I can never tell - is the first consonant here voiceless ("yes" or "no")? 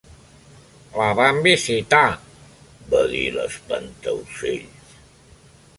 no